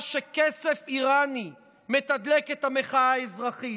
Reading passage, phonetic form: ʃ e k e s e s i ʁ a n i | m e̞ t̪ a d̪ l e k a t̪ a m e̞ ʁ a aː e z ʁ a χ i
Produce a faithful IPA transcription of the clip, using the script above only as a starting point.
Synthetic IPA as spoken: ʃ e k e s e f i ʁ a n i | m e̞ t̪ a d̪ l e k e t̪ a m e̞ χ a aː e z ʁ a χ i